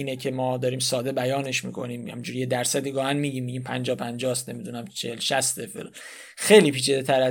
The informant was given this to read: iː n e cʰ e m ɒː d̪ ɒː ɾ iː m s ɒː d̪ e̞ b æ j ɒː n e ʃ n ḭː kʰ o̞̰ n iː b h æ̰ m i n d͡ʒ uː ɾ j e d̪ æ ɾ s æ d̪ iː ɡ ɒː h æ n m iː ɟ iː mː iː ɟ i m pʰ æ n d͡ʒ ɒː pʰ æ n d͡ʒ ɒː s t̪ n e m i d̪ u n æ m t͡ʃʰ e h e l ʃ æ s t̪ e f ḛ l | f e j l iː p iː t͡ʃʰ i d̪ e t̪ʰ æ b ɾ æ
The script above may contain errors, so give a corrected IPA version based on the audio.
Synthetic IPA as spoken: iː n e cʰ e m ɒː d̪ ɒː ɾ iː m s ɒː d̪ e̞ b æ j ɒː n e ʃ m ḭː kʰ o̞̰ n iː m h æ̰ m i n d͡ʒ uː ɾ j e d̪ æ ɾ s æ d̪ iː ɡ ɒː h æ n m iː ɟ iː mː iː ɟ i m pʰ æ n d͡ʒ ɒː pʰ æ n d͡ʒ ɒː s t̪ n e m i d̪ u n æ m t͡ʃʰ e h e l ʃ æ s t̪ e f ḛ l | x e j l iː p iː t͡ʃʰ i d̪ e t̪ʰ æ ɾ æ